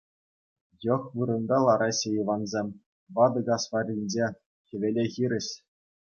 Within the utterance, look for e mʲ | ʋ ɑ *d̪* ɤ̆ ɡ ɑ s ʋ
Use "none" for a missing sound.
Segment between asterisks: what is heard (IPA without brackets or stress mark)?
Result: d̪